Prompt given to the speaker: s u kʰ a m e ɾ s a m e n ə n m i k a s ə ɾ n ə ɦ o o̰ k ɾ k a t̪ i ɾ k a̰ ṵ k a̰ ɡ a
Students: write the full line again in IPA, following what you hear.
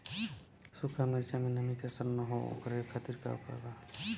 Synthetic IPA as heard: s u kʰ a m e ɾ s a m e n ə m i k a s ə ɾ n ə ɦ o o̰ k ɾ kʰ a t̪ i ɾ k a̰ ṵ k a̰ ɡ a